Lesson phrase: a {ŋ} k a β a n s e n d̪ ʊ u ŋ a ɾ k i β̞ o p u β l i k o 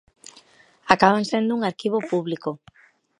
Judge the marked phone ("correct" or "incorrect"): incorrect